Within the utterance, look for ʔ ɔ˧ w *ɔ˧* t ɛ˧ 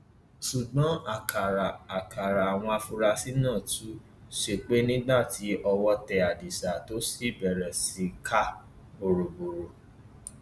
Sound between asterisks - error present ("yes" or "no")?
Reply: no